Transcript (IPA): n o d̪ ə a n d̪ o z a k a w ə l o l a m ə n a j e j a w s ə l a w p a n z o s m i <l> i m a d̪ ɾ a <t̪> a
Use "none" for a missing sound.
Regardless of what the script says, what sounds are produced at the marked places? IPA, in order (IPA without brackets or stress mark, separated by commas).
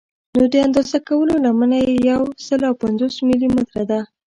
l, d̪